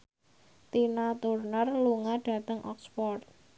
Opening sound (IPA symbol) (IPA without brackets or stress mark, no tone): t̪